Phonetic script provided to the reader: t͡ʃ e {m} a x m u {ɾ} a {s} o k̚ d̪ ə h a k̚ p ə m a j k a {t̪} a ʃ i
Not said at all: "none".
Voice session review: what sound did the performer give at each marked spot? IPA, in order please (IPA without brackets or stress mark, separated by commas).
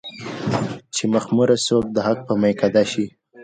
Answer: m, ɾ, s, d̪